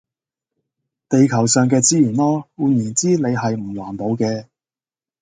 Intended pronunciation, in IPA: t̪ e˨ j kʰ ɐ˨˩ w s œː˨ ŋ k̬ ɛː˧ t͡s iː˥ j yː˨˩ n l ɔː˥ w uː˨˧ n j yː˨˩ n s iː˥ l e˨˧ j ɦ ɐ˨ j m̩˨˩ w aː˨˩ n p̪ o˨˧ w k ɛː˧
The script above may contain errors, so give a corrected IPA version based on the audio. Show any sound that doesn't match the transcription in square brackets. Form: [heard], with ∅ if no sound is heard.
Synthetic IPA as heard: t̪ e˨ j kʰ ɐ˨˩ w s œː˨ ŋ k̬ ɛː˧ t͡s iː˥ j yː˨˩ n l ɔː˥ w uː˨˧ n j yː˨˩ n [t͡s] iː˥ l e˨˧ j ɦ ɐ˨ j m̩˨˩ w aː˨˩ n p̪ o˨˧ w k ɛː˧